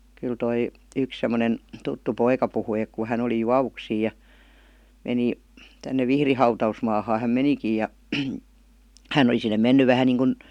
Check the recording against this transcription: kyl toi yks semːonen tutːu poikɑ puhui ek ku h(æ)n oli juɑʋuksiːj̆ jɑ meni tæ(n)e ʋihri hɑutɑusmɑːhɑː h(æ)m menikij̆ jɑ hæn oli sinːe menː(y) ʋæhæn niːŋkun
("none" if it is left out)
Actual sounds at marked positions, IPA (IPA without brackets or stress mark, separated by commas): æ, nː, æ, y